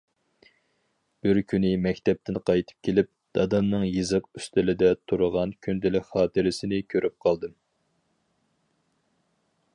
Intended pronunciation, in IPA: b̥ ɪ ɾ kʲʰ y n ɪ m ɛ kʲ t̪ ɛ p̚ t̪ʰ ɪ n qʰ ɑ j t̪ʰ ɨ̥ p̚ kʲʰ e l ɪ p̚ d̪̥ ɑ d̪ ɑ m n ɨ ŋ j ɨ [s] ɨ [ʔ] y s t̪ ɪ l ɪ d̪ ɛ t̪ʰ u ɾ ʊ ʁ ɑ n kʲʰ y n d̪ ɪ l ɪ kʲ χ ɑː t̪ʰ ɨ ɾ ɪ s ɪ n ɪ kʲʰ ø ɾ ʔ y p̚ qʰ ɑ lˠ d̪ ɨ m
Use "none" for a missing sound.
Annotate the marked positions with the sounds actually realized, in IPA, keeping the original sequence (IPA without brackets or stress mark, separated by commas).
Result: z, q